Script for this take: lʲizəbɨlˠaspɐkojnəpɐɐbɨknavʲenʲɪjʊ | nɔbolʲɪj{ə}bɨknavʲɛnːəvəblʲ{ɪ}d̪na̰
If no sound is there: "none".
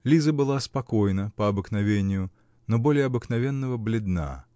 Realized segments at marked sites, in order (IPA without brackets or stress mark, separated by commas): ɐ, ɪ